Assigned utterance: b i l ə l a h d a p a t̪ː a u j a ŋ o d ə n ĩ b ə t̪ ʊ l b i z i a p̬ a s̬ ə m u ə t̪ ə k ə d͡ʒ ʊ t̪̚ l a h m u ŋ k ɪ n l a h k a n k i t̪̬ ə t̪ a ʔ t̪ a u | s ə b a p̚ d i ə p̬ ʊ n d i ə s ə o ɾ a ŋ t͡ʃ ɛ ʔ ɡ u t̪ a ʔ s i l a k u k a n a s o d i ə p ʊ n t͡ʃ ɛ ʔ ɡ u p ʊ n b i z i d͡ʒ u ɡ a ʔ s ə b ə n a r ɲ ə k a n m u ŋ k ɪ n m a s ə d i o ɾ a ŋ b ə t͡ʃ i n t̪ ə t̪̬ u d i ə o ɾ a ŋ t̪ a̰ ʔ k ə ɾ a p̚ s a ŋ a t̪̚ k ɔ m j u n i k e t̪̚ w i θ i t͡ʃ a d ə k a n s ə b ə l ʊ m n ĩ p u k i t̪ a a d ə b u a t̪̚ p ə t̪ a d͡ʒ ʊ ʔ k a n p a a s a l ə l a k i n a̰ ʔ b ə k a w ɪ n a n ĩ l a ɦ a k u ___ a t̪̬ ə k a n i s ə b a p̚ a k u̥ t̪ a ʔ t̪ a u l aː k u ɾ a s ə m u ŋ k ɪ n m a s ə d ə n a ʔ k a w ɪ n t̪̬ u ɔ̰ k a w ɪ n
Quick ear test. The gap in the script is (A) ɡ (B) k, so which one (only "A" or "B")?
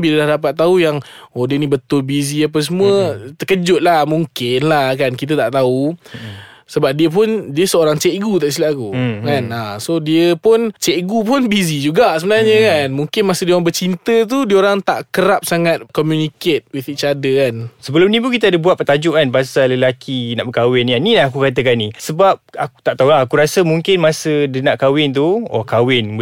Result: B